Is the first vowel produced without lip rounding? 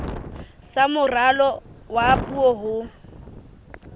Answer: yes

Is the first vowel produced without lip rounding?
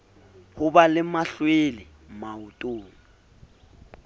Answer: no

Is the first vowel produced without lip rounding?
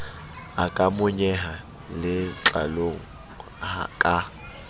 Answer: yes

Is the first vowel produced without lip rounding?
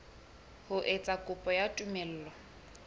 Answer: no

